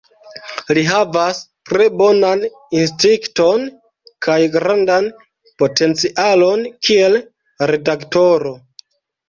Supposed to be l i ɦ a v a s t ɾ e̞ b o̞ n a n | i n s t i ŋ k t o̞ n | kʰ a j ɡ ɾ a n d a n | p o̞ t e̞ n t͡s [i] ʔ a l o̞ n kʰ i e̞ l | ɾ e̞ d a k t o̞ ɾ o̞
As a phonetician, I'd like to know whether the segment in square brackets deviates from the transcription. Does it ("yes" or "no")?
no